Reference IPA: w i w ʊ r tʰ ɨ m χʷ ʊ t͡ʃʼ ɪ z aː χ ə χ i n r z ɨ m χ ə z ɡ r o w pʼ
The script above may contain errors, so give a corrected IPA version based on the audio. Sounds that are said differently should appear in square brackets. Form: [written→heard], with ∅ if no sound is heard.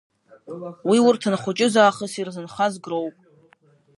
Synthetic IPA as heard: w i w ʊ r tʰ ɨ [m→n] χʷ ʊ t͡ʃʼ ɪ z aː χ ə [χ→s] i [n→∅] r z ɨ [m→n] χ [ə→a] z ɡ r o w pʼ